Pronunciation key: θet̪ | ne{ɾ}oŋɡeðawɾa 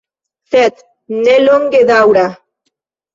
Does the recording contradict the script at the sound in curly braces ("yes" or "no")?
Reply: yes